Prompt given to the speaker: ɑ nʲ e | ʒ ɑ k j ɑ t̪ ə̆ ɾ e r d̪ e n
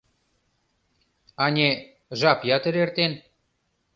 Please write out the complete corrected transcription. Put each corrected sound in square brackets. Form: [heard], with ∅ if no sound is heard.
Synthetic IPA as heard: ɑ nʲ e | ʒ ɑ [p] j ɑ t̪ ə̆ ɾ e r [t̪] e n